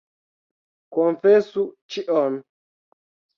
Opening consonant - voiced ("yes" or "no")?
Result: no